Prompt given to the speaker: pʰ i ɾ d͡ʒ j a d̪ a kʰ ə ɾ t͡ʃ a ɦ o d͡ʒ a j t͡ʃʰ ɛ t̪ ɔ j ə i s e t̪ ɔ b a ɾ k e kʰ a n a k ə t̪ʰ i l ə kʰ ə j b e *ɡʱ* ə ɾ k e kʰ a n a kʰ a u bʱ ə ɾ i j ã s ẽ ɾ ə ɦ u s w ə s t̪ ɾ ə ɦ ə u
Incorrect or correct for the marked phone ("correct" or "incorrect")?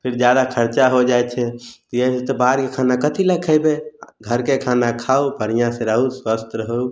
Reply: correct